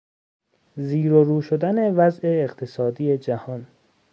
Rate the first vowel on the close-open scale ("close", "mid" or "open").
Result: close